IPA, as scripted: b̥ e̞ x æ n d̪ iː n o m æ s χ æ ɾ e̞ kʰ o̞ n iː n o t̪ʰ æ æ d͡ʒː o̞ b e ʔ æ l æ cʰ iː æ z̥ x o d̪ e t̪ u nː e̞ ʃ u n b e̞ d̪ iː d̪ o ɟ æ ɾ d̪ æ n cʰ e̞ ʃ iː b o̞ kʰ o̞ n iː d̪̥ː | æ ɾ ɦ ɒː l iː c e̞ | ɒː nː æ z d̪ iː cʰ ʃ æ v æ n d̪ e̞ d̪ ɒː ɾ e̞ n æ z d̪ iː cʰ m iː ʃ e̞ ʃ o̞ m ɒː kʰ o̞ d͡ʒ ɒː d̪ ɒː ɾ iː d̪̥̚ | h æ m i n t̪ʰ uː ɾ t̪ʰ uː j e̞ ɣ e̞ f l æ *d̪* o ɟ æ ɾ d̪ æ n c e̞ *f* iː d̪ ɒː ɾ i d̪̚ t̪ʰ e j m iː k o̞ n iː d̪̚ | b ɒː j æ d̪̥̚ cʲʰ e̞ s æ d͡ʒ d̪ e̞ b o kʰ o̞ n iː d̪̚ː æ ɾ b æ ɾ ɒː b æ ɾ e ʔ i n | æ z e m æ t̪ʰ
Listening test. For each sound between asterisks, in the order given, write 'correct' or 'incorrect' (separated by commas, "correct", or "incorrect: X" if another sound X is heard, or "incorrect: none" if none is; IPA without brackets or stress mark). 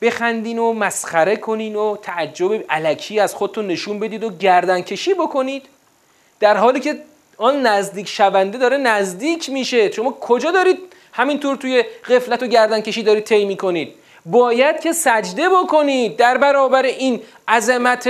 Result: incorrect: t̪, incorrect: ʃ